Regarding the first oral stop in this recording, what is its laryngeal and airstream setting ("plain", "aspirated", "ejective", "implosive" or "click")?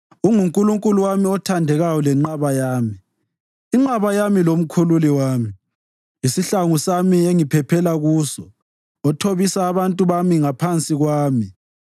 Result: ejective